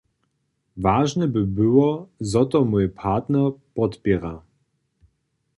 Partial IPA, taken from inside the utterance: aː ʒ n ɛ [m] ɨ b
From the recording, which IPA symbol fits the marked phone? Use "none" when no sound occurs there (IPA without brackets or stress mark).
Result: b